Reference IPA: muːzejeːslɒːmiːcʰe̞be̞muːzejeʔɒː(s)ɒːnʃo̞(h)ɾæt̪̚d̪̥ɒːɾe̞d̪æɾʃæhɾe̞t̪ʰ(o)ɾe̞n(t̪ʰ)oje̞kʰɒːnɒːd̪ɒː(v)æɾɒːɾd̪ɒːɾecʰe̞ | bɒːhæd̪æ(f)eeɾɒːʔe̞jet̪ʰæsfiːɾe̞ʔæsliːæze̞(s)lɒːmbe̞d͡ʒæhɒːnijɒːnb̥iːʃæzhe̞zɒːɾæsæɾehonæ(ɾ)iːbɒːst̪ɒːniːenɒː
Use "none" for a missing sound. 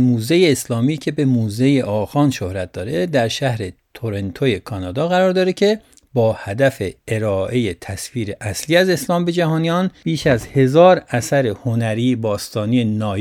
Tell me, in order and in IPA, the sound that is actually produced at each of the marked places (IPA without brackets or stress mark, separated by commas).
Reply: x, h, o, t̪ʰ, ɣ, f, s, ɾ